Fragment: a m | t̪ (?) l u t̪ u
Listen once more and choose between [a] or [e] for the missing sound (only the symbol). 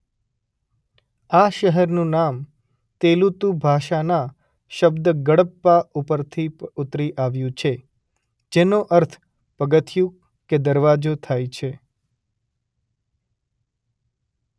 e